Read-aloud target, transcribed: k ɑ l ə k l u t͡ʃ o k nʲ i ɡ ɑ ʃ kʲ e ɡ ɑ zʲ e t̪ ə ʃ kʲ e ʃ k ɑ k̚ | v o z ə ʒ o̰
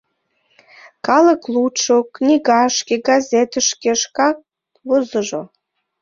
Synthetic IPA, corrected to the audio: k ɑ l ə k l u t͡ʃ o k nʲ i ɡ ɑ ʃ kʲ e ɡ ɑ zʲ e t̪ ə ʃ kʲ e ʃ k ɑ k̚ | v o z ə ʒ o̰